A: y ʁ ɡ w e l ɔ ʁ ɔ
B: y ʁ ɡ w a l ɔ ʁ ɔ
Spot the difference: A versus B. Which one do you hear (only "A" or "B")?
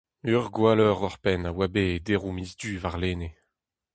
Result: B